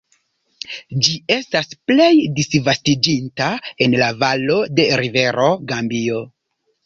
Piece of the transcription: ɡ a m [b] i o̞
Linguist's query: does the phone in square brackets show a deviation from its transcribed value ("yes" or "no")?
no